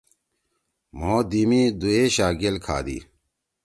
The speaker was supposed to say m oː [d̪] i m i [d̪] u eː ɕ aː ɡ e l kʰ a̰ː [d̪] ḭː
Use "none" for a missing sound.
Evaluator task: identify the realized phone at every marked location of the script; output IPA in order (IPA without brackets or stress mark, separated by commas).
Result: d̪, d̪, d̪